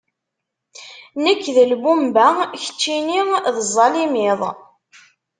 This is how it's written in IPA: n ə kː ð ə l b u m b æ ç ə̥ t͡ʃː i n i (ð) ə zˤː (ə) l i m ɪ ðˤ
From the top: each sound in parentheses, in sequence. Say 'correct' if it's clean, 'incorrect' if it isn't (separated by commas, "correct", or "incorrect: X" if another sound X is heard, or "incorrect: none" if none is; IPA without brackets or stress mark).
correct, incorrect: ɑ